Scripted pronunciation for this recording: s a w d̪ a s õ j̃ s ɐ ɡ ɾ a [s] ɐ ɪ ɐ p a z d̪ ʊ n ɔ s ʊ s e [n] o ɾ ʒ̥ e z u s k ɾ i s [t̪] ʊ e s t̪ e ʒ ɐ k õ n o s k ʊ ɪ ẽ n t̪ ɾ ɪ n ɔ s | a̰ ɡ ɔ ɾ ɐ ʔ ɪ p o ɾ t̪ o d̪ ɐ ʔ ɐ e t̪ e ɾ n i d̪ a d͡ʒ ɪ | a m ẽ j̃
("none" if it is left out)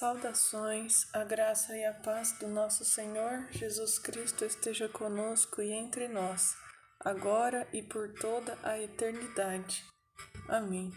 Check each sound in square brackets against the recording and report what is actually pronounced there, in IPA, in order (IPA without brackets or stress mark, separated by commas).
s, ɲ, t̪